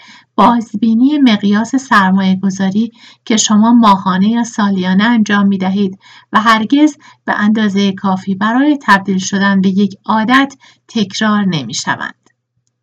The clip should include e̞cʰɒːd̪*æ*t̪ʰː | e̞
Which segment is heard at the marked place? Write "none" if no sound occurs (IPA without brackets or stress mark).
æ